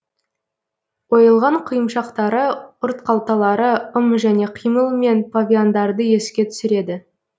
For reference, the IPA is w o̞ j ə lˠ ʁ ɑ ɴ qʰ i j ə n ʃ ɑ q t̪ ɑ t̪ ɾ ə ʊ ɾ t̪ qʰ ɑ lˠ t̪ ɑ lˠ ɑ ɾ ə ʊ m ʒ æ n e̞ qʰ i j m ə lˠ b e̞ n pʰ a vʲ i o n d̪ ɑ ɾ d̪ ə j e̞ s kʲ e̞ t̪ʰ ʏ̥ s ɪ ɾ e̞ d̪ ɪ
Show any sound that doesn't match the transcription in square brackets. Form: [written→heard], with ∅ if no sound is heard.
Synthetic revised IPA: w o̞ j ə lˠ ʁ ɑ ɴ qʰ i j ə [n→m] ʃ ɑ q t̪ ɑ [t̪→∅] ɾ ə ʊ ɾ t̪ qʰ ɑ lˠ t̪ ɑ lˠ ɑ ɾ ə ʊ m ʒ æ n e̞ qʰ i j m ə lˠ [b→m] e̞ n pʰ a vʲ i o n d̪ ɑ ɾ d̪ ə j e̞ s kʲ e̞ t̪ʰ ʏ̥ s ɪ ɾ e̞ d̪ ɪ